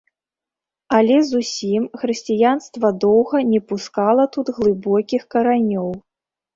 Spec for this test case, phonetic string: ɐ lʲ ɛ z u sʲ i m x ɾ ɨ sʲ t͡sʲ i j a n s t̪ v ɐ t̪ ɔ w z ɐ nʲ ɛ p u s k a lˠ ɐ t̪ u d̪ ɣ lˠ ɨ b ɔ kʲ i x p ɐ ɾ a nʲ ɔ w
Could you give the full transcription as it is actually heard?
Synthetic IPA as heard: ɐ lʲ ɛ z u sʲ i m x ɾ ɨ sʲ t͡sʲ i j a n s t̪ v ɐ d̪ ɔ w ɣ ɐ nʲ ɛ p u s k a lˠ ɐ t̪ u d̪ ɣ lˠ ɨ b ɔ kʲ i x k ɐ ɾ a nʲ ɔ w